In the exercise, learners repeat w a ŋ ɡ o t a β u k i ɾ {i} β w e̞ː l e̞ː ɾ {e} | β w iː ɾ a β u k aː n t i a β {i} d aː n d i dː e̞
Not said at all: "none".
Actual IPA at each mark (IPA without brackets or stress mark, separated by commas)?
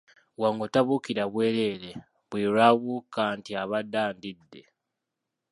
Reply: a, e, a